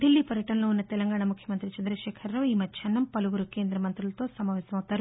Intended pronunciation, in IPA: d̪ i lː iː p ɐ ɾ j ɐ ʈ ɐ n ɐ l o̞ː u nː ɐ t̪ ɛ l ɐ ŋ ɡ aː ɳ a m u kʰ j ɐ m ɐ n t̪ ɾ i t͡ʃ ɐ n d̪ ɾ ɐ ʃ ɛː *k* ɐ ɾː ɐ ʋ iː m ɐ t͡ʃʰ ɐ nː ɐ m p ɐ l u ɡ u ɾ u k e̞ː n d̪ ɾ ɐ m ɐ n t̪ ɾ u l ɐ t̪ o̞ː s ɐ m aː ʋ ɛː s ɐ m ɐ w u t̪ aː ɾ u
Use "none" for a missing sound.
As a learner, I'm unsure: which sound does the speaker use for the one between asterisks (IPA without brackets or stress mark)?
kʰ